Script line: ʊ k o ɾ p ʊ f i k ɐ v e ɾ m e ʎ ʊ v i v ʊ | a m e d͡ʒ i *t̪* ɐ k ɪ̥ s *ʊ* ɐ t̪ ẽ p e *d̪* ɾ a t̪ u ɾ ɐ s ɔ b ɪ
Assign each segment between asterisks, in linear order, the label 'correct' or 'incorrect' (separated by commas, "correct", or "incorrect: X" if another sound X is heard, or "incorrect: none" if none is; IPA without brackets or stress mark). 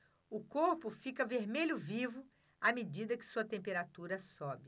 incorrect: d̪, incorrect: u, incorrect: none